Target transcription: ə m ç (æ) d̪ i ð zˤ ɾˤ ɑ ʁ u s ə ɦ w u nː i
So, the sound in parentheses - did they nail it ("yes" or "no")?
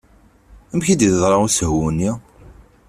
no